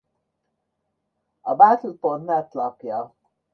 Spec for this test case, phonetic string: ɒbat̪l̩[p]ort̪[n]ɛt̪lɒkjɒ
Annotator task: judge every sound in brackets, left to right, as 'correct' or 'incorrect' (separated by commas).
correct, correct